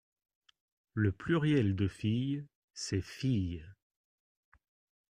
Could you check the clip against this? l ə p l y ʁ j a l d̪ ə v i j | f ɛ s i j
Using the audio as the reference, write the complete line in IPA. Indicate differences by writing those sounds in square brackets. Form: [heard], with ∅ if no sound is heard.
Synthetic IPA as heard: l ə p l y ʁ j [ɛ] l d̪ ə [f] i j | [s] ɛ [f] i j

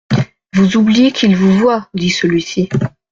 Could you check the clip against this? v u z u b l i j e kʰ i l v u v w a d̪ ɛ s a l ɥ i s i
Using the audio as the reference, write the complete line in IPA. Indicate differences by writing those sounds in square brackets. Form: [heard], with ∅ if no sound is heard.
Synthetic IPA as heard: v u z u b l i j e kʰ i l v u v w a d̪ [i] s [ə] l ɥ i s i

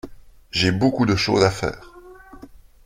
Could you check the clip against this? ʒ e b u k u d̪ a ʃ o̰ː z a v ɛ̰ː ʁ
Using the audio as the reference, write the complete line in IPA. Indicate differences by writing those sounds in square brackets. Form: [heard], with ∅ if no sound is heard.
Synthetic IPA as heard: ʒ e b [o] k u d̪ [ə] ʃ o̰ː z a [f] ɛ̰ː ʁ

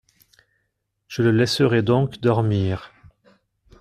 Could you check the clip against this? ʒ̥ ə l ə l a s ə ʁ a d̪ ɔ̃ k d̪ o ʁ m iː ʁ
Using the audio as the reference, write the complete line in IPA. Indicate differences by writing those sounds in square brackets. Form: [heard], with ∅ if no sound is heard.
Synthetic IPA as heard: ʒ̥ ə l ə l [ɛ] s ə ʁ [ɛ] d̪ ɔ̃ k d̪ [ɔ] ʁ m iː ʁ

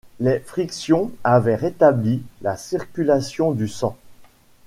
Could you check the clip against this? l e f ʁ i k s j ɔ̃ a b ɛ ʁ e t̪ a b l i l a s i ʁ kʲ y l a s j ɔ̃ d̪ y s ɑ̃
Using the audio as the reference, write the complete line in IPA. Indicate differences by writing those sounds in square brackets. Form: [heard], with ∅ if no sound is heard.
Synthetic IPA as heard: l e f [χ] i k s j ɔ̃ a [v] ɛ ʁ e t̪ a b l i l a s i ʁ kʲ y l a s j ɔ̃ d̪ y s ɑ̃

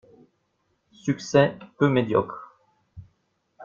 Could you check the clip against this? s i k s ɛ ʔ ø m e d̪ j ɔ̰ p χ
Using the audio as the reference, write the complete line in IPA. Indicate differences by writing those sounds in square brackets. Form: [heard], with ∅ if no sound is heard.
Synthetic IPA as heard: s [y] k s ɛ [p] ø m e d̪ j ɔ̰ [k] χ

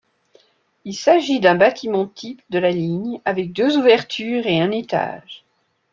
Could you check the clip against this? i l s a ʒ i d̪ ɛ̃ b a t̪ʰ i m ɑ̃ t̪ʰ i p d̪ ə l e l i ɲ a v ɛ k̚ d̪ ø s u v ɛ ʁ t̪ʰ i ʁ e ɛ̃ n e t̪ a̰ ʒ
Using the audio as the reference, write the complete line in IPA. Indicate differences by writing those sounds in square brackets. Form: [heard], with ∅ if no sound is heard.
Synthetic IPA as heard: i l s a ʒ i d̪ ɛ̃ b a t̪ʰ i m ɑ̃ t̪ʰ i p d̪ ə l [a] l i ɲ a v ɛ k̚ d̪ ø [z] u v ɛ ʁ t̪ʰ [y] ʁ e ɛ̃ n e t̪ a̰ ʒ

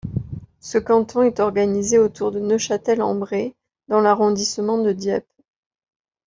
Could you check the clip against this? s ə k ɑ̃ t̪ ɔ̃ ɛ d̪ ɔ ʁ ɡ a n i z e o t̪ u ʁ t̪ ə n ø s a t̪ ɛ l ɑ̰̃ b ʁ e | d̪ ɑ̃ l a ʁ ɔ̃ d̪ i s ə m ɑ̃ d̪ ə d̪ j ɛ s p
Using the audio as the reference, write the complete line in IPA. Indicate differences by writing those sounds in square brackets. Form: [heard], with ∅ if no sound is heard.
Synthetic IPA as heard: s ə k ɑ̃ t̪ ɔ̃ ɛ [t̪] ɔ ʁ ɡ a n i z e o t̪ u ʁ [d̪] ə n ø [ʃ] a t̪ ɛ l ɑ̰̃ b ʁ e | d̪ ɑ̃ l a ʁ ɔ̃ d̪ i s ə m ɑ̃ d̪ ə d̪ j ɛ [∅] p

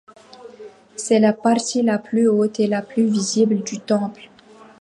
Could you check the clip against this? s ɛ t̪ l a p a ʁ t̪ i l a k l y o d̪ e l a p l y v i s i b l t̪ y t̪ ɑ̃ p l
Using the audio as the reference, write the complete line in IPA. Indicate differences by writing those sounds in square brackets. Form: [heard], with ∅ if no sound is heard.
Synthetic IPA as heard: s ɛ [∅] l a p a ʁ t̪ i l a [p] l y o [t̪] e l a p l y v i [z] i b l [d̪] y t̪ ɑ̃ p l

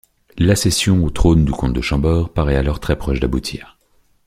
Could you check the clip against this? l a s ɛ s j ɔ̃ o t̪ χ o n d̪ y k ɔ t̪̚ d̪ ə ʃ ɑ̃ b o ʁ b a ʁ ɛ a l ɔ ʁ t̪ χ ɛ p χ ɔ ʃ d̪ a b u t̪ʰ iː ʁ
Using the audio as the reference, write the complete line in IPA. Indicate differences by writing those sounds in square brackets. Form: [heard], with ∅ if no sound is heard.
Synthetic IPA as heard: l a s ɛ s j ɔ̃ o t̪ χ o n d̪ y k [ɔ̃] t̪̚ d̪ ə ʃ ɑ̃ b [ɔ] ʁ [p] a ʁ ɛ a l ɔ ʁ t̪ χ ɛ p χ ɔ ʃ d̪ a b u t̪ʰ iː ʁ

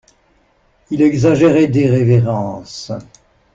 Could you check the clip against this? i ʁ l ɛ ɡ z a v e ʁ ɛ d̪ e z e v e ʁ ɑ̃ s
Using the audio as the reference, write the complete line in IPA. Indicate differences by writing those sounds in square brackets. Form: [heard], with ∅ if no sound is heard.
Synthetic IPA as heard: i [∅] l ɛ ɡ z a [ʒ] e ʁ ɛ d̪ e [ʁ] e v e ʁ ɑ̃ s

